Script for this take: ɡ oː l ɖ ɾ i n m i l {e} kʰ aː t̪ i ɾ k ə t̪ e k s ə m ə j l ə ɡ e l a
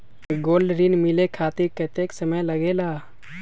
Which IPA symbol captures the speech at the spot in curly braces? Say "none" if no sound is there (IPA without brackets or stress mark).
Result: e